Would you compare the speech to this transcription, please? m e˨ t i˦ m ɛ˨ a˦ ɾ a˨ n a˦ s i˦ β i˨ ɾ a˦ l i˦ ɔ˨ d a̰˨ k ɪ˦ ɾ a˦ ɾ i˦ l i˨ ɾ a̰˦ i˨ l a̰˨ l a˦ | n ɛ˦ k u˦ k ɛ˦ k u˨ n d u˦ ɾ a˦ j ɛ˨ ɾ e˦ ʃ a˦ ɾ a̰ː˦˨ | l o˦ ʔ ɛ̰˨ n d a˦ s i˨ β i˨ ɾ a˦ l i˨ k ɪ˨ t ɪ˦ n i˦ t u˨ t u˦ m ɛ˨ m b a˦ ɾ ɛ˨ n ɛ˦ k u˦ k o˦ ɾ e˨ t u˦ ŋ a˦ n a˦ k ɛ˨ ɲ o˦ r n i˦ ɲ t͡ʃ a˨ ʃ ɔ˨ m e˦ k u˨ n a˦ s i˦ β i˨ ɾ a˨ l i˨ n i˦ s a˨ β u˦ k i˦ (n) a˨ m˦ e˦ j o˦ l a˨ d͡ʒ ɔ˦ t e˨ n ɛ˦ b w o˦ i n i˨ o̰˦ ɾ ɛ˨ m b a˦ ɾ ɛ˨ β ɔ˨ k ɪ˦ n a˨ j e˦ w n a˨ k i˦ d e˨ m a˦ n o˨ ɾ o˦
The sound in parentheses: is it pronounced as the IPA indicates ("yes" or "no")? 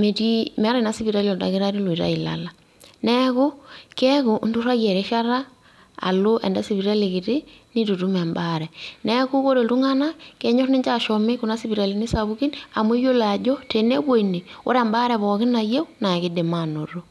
yes